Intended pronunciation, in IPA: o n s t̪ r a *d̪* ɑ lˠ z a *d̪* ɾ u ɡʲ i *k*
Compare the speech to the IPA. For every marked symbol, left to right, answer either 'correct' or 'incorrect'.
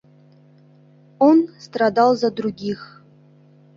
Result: correct, correct, incorrect

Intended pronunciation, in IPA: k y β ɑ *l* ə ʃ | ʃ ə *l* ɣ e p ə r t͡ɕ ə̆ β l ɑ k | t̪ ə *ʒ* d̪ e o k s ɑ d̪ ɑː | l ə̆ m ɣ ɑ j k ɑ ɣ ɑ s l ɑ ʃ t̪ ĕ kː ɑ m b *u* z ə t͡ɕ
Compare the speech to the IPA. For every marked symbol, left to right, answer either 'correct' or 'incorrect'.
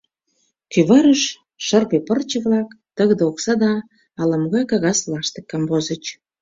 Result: incorrect, incorrect, incorrect, incorrect

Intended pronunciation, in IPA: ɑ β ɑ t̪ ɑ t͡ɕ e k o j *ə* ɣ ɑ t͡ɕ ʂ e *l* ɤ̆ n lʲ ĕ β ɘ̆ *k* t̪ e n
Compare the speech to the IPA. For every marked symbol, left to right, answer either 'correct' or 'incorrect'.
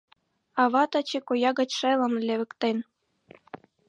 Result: incorrect, correct, correct

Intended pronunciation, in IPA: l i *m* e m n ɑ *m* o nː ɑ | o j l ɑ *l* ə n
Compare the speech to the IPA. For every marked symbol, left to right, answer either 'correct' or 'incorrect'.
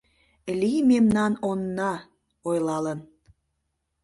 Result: correct, incorrect, correct

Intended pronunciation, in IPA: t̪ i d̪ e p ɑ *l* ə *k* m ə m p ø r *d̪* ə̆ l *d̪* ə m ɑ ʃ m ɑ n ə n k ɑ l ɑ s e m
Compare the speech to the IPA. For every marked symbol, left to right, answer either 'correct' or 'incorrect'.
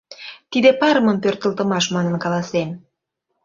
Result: incorrect, incorrect, incorrect, incorrect

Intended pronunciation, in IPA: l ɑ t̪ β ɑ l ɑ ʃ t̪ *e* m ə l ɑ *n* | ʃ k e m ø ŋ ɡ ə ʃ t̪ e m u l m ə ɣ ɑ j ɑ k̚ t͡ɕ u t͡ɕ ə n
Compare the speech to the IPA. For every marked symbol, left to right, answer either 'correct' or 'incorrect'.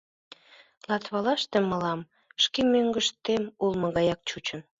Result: correct, incorrect

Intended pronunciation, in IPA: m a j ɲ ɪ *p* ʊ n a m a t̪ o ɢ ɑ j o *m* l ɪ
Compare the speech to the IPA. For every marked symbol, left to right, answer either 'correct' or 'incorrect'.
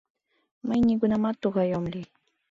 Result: incorrect, correct

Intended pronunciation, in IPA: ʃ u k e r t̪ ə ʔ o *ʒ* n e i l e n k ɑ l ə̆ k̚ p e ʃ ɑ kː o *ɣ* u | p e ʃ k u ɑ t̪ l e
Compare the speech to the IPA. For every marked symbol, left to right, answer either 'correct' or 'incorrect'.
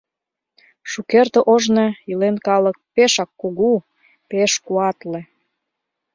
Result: correct, correct

